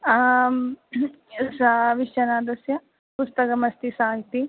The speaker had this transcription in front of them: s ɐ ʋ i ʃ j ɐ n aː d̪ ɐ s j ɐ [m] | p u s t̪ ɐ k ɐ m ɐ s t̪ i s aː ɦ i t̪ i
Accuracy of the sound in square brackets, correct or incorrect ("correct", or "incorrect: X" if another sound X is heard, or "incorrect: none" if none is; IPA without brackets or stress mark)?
incorrect: none